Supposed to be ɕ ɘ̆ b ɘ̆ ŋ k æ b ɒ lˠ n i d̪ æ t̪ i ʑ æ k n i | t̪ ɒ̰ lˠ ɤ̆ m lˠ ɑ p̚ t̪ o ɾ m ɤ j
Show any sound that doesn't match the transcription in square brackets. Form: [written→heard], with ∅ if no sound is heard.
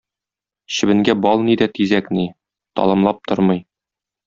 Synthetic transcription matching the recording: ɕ ɘ̆ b ɘ̆ ŋ [k→ɡ] æ b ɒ lˠ n i d̪ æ t̪ i [ʑ→z] æ k n i | t̪ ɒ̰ lˠ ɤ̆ m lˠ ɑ p̚ t̪ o ɾ m ɤ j